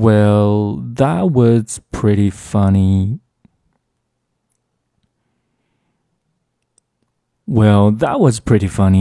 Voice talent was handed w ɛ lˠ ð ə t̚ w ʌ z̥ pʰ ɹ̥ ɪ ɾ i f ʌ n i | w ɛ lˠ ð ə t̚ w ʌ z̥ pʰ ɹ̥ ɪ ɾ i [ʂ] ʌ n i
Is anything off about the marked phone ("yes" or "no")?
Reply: yes